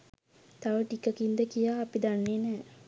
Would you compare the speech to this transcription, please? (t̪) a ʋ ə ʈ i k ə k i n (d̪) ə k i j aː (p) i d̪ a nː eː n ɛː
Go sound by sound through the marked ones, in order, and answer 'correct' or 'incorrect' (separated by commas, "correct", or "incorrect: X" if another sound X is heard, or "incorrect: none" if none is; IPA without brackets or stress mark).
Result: correct, correct, correct